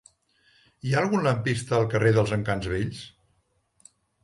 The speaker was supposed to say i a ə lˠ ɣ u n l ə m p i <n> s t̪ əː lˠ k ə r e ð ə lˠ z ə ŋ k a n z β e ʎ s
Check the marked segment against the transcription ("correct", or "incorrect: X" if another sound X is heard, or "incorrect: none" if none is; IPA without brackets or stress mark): incorrect: none